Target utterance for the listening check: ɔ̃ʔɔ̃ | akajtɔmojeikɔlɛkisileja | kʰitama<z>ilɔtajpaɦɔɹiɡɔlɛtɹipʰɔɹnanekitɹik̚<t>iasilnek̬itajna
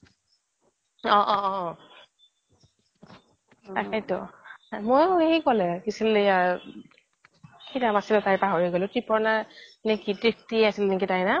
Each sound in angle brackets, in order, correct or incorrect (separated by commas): incorrect, correct